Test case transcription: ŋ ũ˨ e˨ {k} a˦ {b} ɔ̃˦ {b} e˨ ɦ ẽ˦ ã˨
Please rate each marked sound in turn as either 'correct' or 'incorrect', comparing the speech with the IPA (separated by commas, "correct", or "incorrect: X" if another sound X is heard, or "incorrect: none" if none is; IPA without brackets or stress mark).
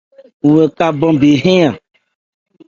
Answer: correct, correct, correct